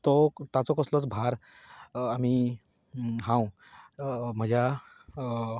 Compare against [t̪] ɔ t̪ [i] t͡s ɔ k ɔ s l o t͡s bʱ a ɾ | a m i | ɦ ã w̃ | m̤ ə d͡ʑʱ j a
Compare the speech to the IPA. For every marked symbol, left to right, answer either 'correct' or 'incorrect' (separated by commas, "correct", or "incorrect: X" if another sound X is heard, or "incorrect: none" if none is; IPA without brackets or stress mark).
correct, incorrect: a